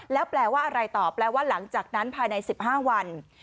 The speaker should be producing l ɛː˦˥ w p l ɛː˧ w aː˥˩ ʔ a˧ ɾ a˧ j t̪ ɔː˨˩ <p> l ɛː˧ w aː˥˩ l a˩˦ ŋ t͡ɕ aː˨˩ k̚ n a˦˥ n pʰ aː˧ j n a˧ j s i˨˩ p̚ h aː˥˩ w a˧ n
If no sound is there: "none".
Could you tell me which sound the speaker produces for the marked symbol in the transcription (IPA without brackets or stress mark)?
p